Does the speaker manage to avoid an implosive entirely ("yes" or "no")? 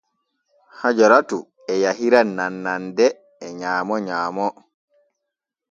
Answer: yes